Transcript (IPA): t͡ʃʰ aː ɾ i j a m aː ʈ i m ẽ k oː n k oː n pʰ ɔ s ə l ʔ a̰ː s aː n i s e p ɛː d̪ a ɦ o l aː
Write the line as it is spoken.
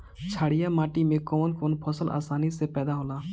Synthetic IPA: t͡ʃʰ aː ɽ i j a m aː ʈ i m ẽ k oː n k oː n pʰ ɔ s ə l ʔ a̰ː s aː n i s e p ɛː d̪ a ɦ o l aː

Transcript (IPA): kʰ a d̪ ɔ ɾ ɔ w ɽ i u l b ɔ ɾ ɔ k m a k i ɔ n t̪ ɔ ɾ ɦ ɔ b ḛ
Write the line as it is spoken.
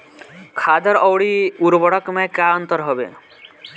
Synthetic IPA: kʰ a d̪ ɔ ɾ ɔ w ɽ i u ɾ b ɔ ɽ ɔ k m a k a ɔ n t̪ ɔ ɾ ɦ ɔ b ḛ

